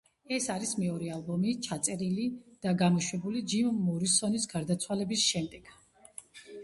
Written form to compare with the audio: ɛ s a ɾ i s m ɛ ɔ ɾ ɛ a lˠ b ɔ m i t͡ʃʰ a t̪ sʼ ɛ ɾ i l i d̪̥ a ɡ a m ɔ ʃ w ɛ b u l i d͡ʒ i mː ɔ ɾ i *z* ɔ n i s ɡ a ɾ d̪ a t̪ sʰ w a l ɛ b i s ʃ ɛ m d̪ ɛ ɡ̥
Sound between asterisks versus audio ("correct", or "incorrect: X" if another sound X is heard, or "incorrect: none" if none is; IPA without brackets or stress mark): incorrect: s